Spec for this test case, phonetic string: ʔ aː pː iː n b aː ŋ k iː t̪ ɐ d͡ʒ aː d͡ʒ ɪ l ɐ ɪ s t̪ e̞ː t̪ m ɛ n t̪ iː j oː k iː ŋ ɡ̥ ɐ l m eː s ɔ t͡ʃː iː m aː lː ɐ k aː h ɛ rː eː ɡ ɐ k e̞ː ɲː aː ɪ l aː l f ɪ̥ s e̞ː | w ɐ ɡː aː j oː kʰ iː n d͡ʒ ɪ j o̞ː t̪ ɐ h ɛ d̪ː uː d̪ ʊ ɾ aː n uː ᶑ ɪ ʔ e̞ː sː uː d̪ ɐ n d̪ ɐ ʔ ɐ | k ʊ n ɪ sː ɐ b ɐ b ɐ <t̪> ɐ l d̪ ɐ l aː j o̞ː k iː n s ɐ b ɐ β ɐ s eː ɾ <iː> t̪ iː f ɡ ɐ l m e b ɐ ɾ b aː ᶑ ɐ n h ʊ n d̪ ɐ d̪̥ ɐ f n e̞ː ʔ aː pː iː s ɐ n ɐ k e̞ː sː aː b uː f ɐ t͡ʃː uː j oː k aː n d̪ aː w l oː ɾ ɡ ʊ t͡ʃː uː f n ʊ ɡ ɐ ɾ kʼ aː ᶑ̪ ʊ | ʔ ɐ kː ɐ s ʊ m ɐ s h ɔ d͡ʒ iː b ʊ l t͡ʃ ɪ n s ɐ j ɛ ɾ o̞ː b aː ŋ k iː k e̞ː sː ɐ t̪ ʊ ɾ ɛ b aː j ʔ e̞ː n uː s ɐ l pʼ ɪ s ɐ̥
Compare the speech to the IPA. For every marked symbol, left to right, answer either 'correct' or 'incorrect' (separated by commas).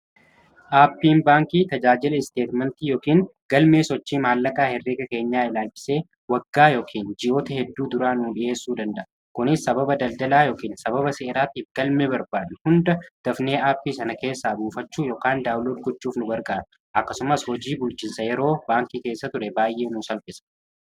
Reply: incorrect, incorrect